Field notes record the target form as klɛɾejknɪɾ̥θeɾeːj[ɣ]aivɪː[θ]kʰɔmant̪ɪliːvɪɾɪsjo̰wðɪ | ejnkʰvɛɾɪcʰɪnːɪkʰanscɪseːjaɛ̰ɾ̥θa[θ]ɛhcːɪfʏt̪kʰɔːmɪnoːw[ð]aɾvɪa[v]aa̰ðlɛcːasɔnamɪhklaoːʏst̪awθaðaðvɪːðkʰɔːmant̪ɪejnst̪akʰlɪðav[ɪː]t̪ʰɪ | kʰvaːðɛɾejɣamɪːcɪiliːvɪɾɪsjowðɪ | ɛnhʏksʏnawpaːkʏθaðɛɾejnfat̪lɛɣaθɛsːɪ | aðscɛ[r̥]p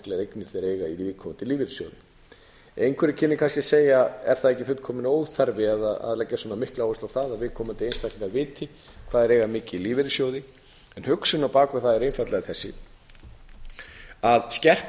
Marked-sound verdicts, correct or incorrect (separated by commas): correct, incorrect, incorrect, incorrect, incorrect, correct, correct